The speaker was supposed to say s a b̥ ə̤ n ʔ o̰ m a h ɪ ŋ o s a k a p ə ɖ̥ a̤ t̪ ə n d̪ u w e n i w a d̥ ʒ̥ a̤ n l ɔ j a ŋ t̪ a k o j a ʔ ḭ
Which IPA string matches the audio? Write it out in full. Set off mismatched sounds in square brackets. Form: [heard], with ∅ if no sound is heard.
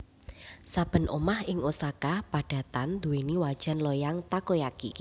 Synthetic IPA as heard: s a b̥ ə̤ n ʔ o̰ m a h ɪ ŋ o s a k a p [a] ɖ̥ a̤ t̪ [a] n d̪ u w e n i w a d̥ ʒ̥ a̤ n l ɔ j a ŋ t̪ a k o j a [k] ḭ